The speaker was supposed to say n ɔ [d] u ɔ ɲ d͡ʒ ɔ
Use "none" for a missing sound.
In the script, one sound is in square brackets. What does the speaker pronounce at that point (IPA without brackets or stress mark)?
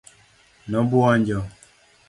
b